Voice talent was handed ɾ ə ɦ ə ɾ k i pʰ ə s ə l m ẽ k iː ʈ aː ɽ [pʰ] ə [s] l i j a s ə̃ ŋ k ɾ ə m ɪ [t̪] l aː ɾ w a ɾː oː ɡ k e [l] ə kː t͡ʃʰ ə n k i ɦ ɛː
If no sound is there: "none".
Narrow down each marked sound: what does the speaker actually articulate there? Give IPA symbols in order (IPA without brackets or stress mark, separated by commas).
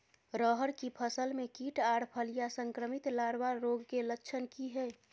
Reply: pʰ, none, t̪, l